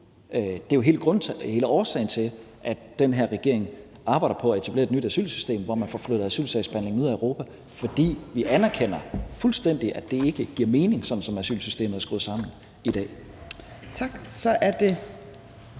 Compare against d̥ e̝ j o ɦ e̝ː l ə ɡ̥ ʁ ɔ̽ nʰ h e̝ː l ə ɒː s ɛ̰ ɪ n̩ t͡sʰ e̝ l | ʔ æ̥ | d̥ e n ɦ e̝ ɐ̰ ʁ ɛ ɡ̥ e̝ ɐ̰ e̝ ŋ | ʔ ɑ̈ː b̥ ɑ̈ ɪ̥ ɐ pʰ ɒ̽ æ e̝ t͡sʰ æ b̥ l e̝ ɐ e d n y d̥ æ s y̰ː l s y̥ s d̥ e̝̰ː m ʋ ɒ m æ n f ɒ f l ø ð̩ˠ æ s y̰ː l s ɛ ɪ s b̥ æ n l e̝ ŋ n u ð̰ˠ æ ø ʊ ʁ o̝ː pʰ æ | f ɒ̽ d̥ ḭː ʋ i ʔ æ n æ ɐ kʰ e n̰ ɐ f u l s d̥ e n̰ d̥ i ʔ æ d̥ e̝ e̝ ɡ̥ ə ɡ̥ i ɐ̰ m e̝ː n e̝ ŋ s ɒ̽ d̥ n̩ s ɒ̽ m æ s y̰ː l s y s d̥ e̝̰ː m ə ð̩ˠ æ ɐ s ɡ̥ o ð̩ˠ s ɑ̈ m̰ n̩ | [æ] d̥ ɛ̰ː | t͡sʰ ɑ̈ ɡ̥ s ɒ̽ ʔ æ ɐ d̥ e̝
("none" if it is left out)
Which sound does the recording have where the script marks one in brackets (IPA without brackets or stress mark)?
i